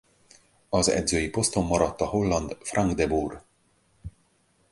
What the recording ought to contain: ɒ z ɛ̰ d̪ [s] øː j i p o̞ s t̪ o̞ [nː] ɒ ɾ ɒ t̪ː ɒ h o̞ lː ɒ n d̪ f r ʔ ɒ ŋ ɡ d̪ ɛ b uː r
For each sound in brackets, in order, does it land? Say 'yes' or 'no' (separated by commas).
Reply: no, no